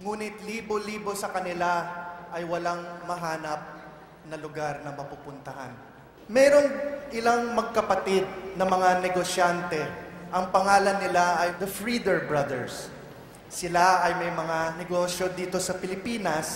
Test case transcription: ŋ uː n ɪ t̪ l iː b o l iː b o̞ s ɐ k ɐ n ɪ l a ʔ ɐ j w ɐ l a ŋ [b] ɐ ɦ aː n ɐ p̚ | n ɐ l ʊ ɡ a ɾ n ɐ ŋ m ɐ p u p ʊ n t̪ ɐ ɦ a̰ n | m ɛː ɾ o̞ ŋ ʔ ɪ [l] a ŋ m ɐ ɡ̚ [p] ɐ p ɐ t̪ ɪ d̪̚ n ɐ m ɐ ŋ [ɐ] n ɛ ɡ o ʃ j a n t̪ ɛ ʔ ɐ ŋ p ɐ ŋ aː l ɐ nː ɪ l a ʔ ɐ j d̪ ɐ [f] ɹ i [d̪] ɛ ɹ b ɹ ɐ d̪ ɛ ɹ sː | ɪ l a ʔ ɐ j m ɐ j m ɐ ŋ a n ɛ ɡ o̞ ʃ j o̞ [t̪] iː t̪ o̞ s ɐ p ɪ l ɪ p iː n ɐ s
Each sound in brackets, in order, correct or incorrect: incorrect: m, correct, incorrect: k, incorrect: a, correct, correct, incorrect: d̪

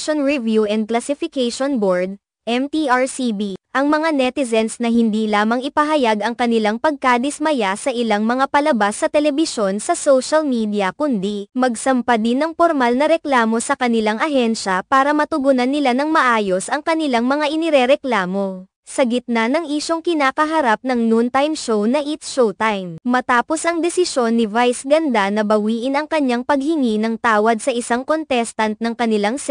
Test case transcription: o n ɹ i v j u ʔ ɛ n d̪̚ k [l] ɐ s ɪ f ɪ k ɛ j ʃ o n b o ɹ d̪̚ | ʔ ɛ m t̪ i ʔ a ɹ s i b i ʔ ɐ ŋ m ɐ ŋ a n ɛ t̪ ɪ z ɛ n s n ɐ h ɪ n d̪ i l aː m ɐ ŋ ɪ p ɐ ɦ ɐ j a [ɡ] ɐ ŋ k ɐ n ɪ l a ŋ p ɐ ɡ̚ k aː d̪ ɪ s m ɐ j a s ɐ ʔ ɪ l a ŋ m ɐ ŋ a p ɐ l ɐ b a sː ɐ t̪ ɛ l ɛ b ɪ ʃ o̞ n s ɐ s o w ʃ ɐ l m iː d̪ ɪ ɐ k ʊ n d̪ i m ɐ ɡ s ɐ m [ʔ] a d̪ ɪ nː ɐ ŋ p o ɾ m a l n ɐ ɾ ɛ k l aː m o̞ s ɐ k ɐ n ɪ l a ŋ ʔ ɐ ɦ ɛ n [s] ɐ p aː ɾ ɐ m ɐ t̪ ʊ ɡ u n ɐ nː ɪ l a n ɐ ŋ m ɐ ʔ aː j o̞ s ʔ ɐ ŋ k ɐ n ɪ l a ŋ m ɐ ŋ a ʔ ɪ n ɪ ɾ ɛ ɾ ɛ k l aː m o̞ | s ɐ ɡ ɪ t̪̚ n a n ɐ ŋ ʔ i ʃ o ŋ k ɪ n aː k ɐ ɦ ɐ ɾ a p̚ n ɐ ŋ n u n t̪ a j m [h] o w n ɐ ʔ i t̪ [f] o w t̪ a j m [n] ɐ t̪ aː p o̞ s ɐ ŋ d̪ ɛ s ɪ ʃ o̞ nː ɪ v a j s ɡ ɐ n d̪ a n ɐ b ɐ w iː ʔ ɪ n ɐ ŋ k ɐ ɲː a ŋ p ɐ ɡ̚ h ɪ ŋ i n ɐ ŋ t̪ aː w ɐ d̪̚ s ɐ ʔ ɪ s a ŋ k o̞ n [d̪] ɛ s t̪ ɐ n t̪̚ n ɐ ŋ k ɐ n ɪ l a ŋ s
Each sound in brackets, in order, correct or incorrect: correct, correct, incorrect: p, incorrect: ʃ, incorrect: ʃ, incorrect: ʃ, incorrect: m, incorrect: t̪

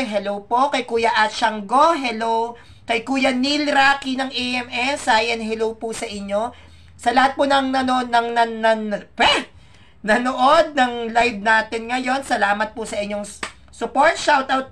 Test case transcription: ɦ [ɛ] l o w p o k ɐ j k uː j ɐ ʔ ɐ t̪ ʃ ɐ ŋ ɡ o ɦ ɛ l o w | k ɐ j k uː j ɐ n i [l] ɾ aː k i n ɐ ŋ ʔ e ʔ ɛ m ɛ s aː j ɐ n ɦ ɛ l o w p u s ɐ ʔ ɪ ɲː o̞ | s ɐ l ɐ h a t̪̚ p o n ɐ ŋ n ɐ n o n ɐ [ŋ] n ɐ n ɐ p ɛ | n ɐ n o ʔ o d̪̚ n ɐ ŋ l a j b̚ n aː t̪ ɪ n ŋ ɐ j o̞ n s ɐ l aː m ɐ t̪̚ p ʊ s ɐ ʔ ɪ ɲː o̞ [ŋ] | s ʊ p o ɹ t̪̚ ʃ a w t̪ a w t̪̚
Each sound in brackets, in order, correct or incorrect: correct, correct, correct, correct

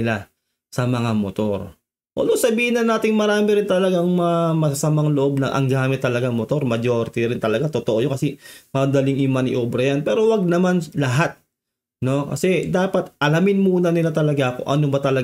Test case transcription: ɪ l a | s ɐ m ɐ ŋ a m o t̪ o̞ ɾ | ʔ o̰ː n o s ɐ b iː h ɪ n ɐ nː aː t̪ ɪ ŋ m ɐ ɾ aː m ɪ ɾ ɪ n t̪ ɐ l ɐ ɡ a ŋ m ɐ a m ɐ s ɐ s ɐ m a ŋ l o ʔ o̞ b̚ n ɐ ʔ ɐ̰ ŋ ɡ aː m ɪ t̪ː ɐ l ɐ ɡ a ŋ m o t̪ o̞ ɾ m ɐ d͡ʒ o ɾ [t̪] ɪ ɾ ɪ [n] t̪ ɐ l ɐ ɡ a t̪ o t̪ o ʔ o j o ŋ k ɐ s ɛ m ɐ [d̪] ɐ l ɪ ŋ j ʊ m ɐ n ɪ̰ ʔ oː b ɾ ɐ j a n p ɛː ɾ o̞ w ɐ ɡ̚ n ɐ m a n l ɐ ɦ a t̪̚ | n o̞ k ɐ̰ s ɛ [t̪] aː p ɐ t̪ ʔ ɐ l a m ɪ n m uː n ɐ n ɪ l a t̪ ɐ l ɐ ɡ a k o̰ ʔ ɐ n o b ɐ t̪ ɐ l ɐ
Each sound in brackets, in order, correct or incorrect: correct, correct, correct, incorrect: d̪

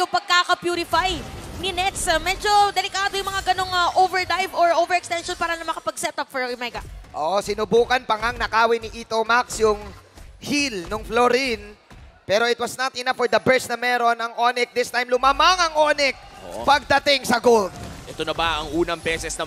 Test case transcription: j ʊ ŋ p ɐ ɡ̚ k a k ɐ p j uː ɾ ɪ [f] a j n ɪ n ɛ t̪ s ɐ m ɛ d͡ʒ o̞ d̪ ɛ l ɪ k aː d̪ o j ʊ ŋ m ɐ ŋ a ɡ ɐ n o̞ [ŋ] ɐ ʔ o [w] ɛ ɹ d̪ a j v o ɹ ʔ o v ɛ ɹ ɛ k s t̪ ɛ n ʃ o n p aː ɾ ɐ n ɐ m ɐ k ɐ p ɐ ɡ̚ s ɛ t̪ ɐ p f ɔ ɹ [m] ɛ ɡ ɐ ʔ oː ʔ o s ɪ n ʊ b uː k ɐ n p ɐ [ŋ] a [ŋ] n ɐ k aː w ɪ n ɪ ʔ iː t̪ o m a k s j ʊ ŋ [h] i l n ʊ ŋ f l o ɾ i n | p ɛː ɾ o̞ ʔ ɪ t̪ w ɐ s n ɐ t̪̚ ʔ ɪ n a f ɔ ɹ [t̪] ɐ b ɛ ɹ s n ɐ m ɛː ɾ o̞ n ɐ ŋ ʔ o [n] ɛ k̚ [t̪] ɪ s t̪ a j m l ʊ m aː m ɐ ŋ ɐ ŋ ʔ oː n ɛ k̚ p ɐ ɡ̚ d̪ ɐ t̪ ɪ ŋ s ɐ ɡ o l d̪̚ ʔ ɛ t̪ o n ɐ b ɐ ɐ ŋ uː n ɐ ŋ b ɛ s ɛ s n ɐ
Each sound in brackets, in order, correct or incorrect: correct, correct, incorrect: v, correct, correct, correct, correct, incorrect: d̪, correct, incorrect: d̪

